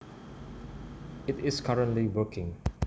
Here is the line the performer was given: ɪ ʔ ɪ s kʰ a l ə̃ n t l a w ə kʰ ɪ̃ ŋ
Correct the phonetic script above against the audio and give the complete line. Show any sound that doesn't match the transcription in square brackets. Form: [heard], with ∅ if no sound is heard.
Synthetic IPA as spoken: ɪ [t] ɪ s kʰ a [ɹ] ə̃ n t l [i] w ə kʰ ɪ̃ ŋ